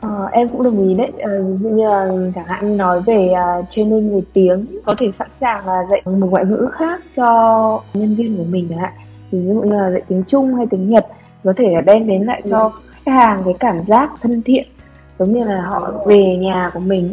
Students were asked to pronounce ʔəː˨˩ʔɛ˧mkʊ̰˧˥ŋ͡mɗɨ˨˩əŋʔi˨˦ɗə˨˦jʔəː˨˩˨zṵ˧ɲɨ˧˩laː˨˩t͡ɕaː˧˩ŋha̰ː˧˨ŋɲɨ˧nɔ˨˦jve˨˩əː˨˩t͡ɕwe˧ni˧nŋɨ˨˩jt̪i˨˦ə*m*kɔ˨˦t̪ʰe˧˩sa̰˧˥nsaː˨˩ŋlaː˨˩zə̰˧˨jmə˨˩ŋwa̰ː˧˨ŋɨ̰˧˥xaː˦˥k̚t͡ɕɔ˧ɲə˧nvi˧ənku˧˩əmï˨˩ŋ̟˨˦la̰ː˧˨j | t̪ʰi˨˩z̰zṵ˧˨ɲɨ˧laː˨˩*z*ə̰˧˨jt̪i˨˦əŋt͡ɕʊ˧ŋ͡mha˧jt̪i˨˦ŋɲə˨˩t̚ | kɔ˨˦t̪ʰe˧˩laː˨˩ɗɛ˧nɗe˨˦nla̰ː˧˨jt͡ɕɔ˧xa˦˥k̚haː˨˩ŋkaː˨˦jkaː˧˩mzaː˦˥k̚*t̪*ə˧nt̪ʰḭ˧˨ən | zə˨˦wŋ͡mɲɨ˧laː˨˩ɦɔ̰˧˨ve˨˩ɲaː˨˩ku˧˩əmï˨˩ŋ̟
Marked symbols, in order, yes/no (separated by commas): no, yes, no